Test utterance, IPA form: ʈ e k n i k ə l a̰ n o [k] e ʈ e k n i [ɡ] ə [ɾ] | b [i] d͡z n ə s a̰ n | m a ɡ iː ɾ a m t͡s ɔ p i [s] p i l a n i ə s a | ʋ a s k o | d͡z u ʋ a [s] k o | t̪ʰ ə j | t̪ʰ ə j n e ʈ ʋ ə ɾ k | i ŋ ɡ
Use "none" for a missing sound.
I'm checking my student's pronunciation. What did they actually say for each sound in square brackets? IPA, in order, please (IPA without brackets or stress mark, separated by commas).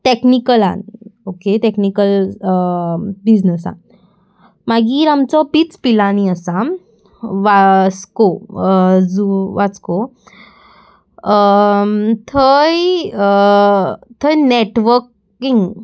k, k, l, i, t͡s, t͡s